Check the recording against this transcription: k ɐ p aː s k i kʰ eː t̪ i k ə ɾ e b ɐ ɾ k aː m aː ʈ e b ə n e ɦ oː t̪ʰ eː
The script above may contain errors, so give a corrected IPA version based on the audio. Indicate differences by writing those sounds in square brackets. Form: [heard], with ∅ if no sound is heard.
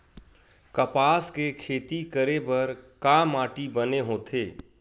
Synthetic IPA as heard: k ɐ p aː s k [e] kʰ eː t̪ i k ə ɾ e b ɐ ɾ k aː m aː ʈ [i] b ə n e ɦ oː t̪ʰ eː